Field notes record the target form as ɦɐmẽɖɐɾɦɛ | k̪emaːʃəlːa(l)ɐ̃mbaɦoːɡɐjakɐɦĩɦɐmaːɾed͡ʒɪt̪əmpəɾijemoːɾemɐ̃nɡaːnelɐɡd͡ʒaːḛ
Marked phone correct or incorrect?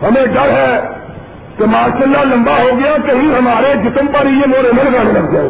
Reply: correct